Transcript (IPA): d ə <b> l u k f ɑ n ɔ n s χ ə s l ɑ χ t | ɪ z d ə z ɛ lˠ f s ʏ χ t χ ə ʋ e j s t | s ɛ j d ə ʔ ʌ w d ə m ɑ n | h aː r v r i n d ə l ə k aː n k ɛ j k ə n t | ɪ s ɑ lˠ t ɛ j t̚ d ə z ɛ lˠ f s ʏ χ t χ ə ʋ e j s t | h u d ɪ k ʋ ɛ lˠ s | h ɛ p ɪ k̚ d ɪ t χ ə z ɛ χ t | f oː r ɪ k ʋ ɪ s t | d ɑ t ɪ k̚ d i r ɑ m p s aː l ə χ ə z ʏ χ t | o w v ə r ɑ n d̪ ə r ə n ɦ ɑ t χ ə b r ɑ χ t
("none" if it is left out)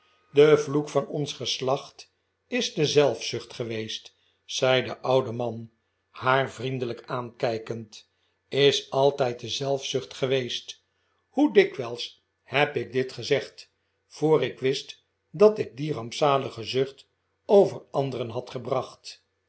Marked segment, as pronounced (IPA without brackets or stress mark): v